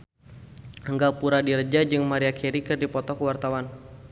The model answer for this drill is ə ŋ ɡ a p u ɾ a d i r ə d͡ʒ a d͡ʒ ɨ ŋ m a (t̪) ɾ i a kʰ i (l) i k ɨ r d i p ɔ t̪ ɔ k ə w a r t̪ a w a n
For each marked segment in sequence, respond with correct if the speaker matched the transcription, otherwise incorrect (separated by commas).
incorrect, incorrect